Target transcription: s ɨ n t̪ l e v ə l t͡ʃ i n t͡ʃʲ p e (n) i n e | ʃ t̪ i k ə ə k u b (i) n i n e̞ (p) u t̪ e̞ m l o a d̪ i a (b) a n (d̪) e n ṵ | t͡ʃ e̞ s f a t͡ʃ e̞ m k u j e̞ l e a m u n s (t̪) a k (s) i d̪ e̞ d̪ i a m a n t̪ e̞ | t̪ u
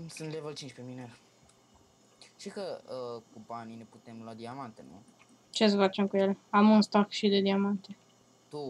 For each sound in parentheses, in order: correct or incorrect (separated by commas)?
incorrect, incorrect, correct, incorrect, incorrect, correct, incorrect